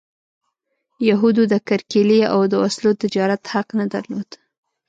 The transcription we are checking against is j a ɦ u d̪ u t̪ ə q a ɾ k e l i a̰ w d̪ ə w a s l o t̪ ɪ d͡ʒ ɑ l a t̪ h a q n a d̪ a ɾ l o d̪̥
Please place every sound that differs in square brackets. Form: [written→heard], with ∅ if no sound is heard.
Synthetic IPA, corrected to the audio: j a ɦ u d̪ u [t̪→d̪] ə [q→k] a ɾ k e l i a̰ w d̪ ə w a s l o t̪ ɪ d͡ʒ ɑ [l→ɾ] a t̪ h a q n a d̪ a ɾ l o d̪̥